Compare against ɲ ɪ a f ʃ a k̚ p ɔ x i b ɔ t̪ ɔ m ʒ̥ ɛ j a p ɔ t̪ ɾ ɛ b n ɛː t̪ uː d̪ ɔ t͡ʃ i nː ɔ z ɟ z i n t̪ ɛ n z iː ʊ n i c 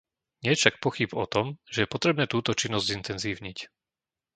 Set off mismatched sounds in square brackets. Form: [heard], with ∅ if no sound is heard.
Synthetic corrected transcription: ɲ ɪ [ɛ] f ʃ a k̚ p ɔ x i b ɔ t̪ ɔ m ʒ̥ ɛ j [ɛ] p ɔ t̪ ɾ ɛ b n ɛː t̪ uː [t̪] ɔ t͡ʃ i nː ɔ z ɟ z i n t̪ ɛ n z iː ʊ [ɲ] i c